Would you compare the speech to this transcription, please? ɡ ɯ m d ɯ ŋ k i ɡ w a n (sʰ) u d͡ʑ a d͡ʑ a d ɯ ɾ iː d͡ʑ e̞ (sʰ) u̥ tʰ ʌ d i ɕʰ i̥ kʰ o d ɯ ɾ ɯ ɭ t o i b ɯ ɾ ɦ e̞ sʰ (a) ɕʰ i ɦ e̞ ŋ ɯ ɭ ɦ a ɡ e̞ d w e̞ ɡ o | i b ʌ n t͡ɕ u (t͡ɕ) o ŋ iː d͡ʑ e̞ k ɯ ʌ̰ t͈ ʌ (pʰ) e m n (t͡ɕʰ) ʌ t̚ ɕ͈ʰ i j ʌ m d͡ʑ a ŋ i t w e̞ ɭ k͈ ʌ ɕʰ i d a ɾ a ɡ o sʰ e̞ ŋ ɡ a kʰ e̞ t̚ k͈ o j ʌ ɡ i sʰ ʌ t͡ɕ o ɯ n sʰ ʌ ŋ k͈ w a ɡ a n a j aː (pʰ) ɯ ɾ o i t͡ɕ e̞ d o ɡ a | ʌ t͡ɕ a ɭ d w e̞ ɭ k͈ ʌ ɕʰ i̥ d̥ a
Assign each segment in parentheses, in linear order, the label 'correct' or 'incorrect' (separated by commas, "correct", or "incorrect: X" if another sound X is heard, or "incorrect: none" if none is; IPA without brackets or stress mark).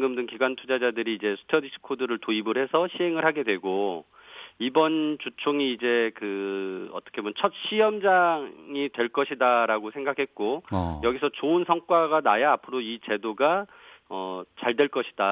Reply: incorrect: tʰ, correct, incorrect: ʌ, incorrect: t͡ɕʰ, incorrect: kʰ, correct, correct